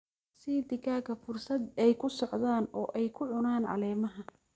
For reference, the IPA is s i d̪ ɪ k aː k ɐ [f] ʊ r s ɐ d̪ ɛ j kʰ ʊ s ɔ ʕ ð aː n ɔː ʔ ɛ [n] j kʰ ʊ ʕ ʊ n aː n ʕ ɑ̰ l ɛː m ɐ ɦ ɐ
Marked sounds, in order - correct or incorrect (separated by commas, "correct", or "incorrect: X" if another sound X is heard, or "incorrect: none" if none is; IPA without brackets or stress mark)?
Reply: correct, incorrect: none